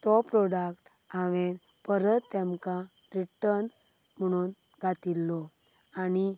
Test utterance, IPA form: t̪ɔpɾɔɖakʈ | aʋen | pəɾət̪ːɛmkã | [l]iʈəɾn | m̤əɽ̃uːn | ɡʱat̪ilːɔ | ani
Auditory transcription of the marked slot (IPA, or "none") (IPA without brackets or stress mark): ɾ